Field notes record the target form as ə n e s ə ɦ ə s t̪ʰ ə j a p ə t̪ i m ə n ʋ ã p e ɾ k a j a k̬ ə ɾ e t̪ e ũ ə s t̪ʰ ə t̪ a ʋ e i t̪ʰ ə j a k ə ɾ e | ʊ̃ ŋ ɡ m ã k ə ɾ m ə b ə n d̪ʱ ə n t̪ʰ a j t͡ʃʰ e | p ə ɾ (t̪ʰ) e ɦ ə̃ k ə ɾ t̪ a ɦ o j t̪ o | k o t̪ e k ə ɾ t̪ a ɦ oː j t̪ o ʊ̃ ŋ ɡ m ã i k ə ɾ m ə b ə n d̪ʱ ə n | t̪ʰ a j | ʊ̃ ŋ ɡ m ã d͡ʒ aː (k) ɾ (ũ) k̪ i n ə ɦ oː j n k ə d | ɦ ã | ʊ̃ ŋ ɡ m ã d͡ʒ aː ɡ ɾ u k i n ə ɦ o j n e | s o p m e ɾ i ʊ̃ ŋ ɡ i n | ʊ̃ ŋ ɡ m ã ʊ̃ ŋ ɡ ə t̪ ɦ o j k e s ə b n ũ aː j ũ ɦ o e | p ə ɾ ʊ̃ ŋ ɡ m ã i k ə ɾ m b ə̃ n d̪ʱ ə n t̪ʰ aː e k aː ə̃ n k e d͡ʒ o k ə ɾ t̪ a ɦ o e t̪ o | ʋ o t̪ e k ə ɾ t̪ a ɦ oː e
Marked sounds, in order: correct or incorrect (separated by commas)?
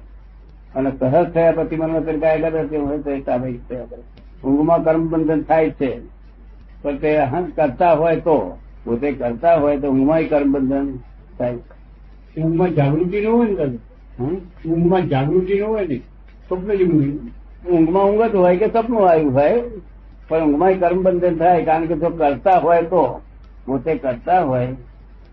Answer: incorrect, incorrect, incorrect